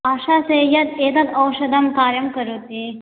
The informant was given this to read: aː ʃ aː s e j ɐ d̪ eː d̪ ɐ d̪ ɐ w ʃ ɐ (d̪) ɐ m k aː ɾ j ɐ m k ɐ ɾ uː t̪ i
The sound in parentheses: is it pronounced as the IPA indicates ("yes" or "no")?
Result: yes